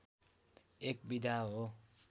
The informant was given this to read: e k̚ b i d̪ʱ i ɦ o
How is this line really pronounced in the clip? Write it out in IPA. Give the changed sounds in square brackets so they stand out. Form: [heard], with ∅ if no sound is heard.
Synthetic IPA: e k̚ b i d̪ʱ [a] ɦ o